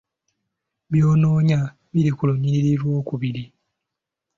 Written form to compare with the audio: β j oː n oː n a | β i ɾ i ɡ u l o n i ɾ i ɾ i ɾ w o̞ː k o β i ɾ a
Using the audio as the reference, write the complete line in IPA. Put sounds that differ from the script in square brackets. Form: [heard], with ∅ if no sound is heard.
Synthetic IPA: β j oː n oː [ɲ] a | β i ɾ i [k] u l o [ɲ] i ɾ i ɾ i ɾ w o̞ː k [u] β i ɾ [i]